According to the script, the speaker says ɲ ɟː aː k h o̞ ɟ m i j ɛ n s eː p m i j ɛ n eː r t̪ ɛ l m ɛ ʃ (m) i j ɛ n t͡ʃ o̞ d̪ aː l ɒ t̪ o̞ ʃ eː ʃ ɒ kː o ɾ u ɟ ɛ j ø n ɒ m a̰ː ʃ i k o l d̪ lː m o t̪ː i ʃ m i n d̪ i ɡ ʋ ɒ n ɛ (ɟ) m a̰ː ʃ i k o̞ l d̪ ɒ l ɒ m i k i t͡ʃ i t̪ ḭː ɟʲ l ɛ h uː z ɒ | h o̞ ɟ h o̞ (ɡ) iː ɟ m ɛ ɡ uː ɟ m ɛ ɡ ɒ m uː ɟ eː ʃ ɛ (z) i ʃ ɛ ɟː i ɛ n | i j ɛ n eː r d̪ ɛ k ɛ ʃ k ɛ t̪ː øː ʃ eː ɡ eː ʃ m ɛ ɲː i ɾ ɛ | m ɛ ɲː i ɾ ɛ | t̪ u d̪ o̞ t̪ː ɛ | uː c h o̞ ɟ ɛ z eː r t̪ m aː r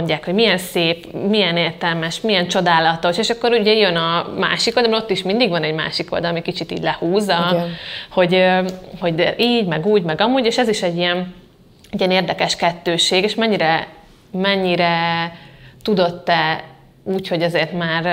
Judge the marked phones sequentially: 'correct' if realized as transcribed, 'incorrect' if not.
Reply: correct, correct, incorrect: ɟ, correct

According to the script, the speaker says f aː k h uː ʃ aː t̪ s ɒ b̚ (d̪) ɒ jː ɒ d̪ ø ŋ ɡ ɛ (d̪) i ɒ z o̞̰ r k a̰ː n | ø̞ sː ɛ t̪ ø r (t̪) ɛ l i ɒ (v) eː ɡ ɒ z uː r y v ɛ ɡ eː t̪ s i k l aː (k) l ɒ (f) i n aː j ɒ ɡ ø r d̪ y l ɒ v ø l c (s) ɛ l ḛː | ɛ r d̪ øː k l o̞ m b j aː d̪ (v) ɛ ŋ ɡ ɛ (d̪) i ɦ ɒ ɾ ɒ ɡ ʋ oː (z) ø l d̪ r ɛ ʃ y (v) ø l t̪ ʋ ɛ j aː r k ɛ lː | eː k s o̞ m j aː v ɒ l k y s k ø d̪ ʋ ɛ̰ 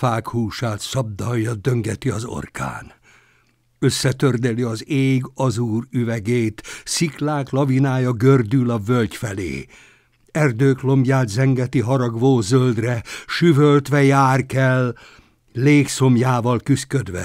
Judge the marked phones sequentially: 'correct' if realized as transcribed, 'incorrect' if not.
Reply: correct, incorrect: t̪, incorrect: d̪, incorrect: z, correct, incorrect: v, incorrect: f, incorrect: z, incorrect: t̪, correct, correct

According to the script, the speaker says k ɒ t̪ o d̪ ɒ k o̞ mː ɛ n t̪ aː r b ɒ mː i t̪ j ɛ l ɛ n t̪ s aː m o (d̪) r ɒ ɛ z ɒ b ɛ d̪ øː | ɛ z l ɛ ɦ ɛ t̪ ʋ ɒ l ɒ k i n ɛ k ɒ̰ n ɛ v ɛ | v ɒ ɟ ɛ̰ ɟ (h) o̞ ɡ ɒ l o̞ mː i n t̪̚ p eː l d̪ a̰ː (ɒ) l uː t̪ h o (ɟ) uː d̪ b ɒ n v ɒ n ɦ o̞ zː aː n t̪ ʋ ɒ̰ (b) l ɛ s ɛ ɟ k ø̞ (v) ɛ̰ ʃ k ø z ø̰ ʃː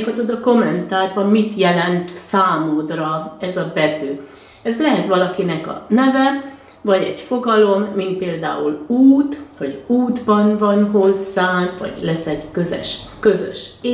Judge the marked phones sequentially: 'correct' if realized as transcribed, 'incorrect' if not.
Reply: correct, incorrect: f, incorrect: u, correct, incorrect: ɟ, incorrect: z

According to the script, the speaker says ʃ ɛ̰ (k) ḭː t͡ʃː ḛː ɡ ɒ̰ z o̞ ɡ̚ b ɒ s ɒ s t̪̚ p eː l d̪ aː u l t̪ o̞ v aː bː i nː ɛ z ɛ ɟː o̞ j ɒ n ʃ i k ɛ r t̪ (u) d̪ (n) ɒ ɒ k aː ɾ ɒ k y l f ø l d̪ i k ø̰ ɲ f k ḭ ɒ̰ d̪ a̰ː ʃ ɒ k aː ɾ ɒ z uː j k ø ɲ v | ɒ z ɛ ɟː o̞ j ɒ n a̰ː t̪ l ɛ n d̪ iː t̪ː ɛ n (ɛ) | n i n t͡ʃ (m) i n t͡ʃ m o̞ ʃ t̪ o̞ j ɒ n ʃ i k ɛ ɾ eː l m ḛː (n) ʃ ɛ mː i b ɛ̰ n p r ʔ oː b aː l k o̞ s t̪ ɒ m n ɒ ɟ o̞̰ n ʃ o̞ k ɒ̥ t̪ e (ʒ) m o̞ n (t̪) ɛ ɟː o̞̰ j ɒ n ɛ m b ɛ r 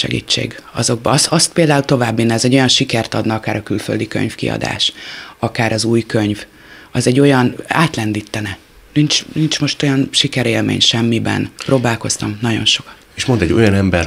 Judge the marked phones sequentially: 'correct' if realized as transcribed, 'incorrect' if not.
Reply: incorrect: ɡ, incorrect: ɒ, correct, correct, incorrect: n, incorrect: ɲ, incorrect: ʃ, incorrect: d̪

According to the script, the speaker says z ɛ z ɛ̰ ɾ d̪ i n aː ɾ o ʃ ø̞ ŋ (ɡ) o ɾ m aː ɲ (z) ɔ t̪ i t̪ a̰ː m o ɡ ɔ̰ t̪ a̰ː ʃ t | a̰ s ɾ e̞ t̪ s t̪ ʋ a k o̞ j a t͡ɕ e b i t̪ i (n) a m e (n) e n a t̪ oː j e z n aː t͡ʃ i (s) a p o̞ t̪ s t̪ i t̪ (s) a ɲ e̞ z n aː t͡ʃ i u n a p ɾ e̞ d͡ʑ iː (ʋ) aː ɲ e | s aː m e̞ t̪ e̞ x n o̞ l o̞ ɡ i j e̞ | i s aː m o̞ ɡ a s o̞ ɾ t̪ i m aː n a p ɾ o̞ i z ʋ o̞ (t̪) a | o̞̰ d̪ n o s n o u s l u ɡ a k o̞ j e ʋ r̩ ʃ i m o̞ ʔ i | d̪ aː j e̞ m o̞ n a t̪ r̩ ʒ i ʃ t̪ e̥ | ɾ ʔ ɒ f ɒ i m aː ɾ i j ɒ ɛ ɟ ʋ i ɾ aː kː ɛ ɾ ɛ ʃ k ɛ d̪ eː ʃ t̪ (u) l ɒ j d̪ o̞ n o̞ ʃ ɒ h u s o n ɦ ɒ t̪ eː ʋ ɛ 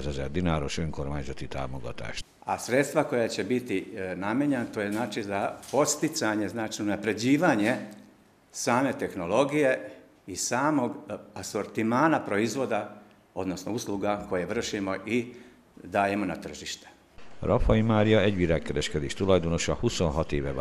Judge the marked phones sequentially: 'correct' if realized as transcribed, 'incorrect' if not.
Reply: incorrect: k, correct, correct, incorrect: ɲ, incorrect: z, correct, correct, incorrect: d̪, correct

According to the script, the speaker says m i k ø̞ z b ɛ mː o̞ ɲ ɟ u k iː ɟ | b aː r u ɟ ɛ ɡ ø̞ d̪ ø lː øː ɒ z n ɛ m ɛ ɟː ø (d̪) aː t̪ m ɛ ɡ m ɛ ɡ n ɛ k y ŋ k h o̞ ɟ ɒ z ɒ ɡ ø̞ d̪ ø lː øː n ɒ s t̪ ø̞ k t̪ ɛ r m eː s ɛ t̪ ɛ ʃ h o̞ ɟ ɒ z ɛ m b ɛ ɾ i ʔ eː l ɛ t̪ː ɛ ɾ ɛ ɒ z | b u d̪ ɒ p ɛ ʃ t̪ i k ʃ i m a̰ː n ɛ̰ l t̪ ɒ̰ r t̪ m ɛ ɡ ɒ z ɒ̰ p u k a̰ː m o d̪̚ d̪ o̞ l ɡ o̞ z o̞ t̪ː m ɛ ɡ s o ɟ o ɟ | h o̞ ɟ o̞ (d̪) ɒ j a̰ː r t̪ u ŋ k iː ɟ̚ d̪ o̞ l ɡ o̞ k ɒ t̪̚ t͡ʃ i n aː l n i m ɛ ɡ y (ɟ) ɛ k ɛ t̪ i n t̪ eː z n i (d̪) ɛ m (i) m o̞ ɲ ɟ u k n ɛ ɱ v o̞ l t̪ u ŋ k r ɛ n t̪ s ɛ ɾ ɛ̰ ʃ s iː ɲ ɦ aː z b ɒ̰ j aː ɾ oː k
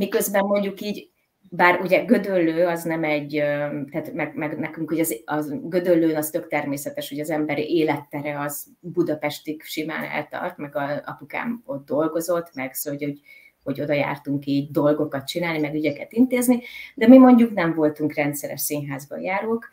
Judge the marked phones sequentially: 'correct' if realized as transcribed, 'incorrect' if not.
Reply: incorrect: t̪, correct, correct, correct, correct

